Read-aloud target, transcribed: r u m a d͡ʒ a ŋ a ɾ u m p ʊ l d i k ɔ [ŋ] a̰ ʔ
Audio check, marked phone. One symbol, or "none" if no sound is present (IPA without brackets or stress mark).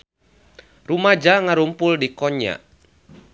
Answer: ɲ